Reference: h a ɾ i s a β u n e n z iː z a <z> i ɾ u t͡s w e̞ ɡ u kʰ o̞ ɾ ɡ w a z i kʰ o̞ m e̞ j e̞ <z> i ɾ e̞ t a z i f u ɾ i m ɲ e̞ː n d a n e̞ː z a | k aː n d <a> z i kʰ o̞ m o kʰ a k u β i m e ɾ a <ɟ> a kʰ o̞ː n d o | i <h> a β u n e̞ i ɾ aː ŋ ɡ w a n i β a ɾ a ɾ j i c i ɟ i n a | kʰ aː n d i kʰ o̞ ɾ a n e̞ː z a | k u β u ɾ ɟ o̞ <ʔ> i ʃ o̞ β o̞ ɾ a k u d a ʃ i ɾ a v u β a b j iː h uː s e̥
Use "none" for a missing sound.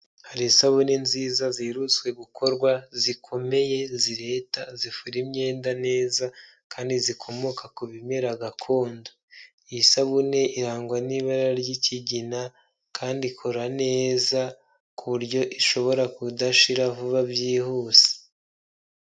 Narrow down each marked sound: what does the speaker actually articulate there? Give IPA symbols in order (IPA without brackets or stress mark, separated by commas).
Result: z, z, i, ɡ, s, ʔ